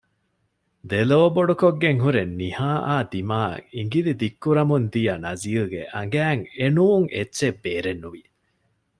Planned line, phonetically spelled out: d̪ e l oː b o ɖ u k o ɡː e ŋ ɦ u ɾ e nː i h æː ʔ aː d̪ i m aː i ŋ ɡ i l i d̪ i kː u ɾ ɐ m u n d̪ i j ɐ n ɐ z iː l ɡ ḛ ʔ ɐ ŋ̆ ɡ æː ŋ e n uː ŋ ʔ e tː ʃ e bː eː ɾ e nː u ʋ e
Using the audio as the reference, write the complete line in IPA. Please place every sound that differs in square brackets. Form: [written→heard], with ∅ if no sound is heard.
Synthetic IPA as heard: d̪ e l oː b o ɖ u k o ɡː e ŋ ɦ u ɾ e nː i h [æː→aː] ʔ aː d̪ i m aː i ŋ ɡ i l i d̪ i kː u ɾ ɐ m u n d̪ i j ɐ n ɐ z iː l ɡ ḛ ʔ ɐ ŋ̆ ɡ æː ŋ e n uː ŋ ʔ e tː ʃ e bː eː ɾ e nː u ʋ [e→i]

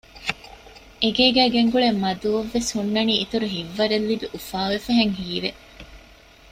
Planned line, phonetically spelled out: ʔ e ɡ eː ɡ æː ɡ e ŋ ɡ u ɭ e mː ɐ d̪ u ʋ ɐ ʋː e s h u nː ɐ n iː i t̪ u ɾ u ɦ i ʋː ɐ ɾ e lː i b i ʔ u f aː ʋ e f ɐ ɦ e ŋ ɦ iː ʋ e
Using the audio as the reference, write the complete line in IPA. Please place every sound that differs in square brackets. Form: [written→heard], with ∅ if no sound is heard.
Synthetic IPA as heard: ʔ e ɡ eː ɡ æː ɡ e ŋ ɡ u ɭ e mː ɐ d̪ u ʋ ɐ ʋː e s h u nː ɐ n iː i t̪ u ɾ u ɦ i ʋː ɐ ɾ e lː i b i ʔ u f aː ʋ e f ɐ ɦ e ŋ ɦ iː ʋ e

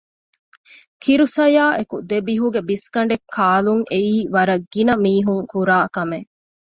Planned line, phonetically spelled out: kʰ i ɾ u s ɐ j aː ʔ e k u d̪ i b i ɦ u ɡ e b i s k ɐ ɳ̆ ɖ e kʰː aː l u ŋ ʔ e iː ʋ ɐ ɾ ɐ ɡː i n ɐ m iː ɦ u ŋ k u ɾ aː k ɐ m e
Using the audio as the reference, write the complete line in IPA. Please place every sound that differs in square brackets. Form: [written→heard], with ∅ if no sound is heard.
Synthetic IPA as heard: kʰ i ɾ u s ɐ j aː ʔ e k u d̪ [i→e] b i ɦ u ɡ e b i s k ɐ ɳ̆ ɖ e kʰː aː l u ŋ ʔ e iː ʋ ɐ ɾ ɐ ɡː i n ɐ m iː ɦ u ŋ k u ɾ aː k ɐ m e

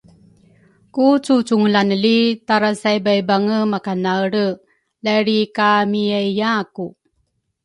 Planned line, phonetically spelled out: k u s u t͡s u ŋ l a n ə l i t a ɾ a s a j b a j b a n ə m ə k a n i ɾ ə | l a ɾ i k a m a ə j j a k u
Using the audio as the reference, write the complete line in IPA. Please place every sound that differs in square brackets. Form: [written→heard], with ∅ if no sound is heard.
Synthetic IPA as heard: k u [s→t͡s] u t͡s u ŋ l a n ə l i t a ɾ a s a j b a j b a [n→ŋ] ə m [ə→a] k a n [i→a] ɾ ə | l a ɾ i k a m [a→i] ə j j a k u

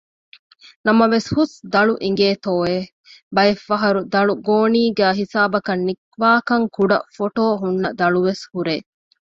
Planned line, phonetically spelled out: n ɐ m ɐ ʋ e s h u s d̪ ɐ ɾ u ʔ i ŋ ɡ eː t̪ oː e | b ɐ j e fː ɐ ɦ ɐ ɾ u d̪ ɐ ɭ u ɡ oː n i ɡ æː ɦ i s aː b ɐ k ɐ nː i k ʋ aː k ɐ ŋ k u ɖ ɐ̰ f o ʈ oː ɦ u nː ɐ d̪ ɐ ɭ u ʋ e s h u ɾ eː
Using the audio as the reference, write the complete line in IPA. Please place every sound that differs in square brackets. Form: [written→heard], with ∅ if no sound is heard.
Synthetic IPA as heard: n ɐ m ɐ ʋ e s h u s d̪ ɐ [ɾ→ɭ] u ʔ i ŋ ɡ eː t̪ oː e | b ɐ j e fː ɐ ɦ ɐ ɾ u d̪ ɐ ɭ u ɡ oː n [i→iː] ɡ æː ɦ i s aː b ɐ k ɐ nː i k ʋ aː k ɐ ŋ k u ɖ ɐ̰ f o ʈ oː ɦ u nː ɐ d̪ ɐ ɭ u ʋ e s h u ɾ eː

